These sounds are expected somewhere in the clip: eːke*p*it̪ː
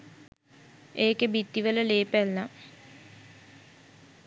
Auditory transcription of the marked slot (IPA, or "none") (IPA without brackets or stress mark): b